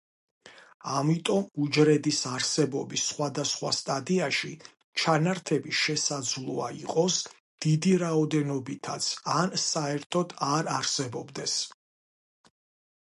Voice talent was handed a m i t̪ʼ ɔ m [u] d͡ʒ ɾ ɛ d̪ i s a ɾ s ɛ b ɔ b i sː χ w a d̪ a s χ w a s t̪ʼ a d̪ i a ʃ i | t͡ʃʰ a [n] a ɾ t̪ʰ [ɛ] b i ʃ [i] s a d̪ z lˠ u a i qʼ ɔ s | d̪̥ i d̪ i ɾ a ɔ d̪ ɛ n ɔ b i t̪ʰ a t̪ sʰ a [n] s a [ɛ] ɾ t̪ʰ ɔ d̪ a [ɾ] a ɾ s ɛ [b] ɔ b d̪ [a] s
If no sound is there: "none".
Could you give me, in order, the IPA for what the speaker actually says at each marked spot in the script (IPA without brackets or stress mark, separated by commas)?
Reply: u, n, ɛ, ɛ, n, ɛ, ɾ, b, ɛ